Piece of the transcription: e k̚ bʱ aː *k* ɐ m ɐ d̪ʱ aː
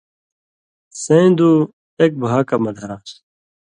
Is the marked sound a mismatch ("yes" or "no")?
no